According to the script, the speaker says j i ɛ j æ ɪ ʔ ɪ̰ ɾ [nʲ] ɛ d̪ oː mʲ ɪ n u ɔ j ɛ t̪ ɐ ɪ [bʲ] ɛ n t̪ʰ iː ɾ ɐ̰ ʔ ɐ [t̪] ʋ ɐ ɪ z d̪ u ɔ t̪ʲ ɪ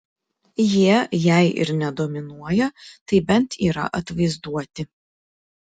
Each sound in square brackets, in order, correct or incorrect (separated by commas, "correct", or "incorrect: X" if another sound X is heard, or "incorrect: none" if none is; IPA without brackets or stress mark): correct, correct, correct